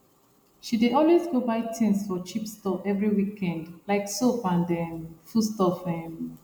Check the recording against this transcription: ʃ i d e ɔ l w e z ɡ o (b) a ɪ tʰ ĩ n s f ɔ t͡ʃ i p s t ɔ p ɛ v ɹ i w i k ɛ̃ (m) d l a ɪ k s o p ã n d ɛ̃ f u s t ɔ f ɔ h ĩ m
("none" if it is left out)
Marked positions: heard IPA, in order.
b, n

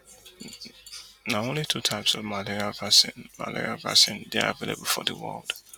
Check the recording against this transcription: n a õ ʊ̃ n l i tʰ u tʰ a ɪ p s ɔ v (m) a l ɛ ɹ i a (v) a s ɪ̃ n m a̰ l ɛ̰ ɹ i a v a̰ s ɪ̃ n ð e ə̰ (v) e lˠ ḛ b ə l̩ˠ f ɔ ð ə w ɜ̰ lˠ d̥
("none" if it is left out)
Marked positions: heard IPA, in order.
m, v, v

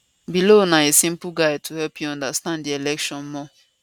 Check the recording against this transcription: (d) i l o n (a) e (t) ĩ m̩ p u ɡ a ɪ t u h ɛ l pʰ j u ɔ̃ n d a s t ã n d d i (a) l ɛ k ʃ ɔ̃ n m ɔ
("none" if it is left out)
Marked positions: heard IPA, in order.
b, a, s, e

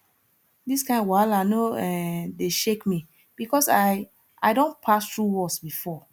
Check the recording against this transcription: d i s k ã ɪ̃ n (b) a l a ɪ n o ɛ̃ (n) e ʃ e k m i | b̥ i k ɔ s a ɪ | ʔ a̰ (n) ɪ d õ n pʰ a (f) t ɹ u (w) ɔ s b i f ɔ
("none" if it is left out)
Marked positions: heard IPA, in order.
w, d, none, s, w

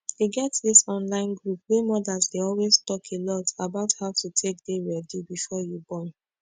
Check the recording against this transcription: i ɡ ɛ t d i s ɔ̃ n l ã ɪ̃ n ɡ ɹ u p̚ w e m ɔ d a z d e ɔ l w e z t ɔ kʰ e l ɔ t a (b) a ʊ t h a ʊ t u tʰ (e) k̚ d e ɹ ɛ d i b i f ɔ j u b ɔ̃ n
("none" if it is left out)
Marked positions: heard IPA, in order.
b, e

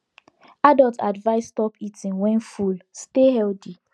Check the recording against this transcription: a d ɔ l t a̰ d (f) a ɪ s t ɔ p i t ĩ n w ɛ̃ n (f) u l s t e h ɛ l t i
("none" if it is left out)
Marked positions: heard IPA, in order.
v, f

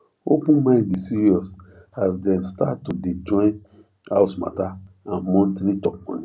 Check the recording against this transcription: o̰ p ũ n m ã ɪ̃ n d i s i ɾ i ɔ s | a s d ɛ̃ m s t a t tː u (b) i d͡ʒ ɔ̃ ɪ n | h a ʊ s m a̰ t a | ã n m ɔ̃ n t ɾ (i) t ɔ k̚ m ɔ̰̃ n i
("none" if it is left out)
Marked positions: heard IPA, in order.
d, i

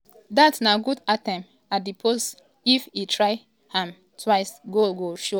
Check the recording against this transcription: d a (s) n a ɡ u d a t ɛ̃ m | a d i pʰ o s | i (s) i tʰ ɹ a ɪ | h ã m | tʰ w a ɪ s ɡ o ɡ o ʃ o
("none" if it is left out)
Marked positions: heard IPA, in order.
t, f

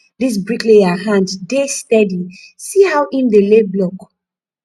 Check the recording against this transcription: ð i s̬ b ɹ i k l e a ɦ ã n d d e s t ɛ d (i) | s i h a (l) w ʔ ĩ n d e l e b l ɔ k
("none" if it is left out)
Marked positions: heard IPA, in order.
i, none

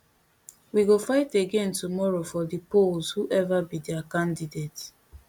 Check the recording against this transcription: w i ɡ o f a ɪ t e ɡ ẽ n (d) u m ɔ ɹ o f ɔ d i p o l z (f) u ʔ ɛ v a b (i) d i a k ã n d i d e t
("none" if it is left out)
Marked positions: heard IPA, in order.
t, h, i

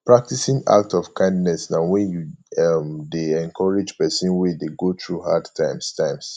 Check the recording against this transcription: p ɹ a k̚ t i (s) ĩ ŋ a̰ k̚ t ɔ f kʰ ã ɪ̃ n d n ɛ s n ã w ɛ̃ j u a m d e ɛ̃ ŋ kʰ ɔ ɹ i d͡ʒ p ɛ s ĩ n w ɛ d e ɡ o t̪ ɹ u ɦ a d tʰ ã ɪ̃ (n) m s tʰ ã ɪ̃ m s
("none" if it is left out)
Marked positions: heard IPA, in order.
s, none

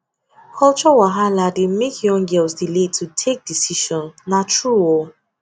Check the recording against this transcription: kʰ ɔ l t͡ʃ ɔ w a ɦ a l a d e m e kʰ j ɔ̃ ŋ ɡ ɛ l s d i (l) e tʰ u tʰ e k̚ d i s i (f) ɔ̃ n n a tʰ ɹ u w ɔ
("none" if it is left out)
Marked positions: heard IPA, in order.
l, ʃ

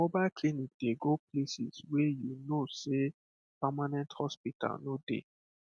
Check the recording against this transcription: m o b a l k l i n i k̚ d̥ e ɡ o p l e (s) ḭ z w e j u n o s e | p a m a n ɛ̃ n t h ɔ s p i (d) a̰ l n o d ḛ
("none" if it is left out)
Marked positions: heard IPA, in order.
s, t

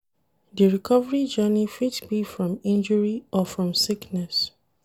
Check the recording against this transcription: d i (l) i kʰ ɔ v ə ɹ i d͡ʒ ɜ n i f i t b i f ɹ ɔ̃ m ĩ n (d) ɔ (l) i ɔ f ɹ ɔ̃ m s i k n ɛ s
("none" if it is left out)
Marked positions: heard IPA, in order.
ɹ, d͡ʒ, ɹ

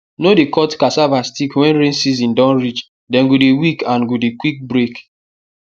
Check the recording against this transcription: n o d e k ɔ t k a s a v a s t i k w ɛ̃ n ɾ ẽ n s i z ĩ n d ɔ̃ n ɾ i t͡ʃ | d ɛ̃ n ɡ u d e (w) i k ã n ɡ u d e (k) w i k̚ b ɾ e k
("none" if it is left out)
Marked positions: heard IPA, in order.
w, k

